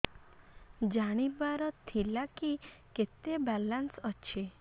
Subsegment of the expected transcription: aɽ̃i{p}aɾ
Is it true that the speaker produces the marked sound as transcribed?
no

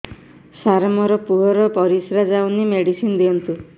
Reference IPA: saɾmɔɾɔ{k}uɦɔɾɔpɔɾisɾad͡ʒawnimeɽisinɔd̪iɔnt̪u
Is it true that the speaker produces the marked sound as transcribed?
no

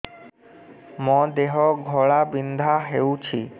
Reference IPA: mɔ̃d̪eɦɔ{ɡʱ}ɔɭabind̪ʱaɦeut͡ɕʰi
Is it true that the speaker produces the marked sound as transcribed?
yes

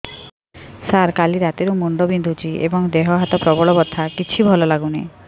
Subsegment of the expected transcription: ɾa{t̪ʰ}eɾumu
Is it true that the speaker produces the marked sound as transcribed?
no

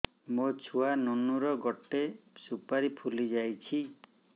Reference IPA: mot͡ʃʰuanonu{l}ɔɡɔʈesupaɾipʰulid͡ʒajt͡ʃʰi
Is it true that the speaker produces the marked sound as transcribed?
no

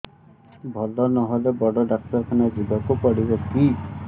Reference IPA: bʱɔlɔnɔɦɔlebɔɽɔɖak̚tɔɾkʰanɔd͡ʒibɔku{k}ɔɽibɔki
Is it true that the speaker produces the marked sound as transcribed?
no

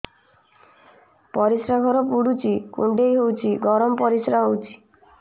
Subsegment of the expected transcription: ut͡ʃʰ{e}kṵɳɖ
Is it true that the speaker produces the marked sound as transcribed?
no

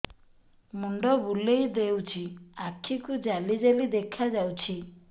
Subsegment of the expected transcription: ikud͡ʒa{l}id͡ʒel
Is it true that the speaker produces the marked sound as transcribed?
yes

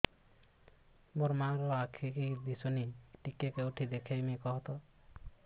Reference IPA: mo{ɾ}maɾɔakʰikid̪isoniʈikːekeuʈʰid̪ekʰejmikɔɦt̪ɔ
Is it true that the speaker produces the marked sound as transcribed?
yes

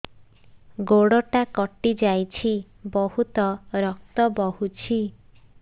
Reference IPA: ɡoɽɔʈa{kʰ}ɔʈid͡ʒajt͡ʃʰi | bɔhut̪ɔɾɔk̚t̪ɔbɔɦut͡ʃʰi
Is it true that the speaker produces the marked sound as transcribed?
no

